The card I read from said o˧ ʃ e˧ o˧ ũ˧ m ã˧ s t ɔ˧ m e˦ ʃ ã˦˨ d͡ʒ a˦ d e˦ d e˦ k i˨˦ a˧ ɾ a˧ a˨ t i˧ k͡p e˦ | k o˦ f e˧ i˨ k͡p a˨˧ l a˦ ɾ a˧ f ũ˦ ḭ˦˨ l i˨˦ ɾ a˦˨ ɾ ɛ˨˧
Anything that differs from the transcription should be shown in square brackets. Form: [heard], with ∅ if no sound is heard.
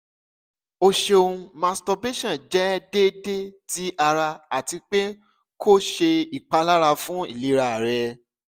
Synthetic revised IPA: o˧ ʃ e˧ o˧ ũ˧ m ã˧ s t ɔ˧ [b] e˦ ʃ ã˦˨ d͡ʒ [ɛ˦] d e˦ d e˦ [t] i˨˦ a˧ ɾ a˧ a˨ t i˧ k͡p e˦ | k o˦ [ʃ] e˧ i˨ k͡p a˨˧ l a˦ ɾ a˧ f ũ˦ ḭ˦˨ l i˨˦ ɾ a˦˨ ɾ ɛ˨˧